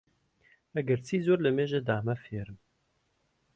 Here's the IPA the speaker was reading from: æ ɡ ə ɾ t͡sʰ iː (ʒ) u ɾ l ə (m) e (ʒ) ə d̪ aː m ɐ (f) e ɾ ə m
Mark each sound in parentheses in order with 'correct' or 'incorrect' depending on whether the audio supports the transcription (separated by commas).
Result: incorrect, correct, correct, correct